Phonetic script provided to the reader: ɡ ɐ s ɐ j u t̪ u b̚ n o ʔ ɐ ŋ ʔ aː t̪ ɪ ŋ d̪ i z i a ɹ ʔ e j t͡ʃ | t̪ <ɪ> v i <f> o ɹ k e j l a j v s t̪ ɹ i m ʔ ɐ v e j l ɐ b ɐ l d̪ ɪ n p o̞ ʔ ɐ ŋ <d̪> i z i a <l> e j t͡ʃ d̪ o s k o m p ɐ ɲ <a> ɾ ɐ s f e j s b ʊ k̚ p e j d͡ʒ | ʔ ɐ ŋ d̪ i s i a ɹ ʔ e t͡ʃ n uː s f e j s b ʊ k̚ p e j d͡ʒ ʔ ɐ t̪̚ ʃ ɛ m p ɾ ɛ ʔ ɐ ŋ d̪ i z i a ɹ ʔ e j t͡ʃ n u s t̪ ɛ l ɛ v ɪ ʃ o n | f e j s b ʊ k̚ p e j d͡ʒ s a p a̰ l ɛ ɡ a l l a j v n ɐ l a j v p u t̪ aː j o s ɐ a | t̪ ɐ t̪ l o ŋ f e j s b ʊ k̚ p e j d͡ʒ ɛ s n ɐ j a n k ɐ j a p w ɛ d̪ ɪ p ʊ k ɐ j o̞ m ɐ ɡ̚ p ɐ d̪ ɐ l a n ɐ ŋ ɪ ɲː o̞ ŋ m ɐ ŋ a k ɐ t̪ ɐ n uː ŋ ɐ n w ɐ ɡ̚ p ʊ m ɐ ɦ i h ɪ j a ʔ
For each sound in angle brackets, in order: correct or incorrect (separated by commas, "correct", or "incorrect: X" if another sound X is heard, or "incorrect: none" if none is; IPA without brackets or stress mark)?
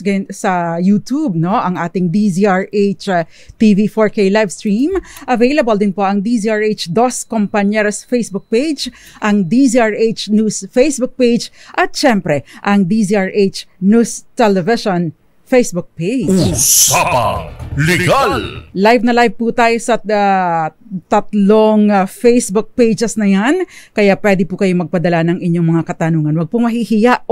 incorrect: i, correct, correct, incorrect: ɹ, incorrect: ɛ